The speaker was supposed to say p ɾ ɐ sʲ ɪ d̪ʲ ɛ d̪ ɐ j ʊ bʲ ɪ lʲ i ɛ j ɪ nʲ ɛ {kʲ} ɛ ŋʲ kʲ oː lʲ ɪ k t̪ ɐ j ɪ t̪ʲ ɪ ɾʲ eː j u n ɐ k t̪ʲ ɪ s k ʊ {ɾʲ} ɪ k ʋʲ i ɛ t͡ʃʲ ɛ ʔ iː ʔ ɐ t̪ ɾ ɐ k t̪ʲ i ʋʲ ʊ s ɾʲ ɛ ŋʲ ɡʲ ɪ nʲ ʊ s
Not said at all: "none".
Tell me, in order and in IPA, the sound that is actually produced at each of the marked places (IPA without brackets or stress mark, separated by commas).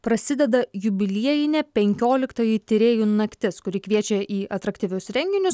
pʲ, ɾʲ